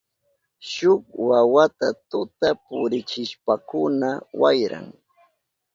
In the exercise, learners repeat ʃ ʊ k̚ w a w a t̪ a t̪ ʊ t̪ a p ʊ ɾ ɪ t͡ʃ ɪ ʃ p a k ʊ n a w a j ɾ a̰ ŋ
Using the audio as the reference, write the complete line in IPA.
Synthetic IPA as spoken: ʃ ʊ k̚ w a w a t̪ a t̪ ʊ t̪ a p ʊ ɾ ɪ t͡ʃ ɪ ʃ p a k ʊ n a w a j ɾ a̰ ŋ